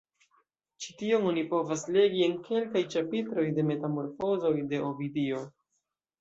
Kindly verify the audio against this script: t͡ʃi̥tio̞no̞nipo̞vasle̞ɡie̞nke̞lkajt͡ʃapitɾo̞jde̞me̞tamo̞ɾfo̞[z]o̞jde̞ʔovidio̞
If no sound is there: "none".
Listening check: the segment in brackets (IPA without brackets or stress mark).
z